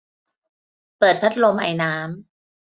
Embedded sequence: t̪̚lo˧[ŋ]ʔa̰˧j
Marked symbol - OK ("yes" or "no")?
no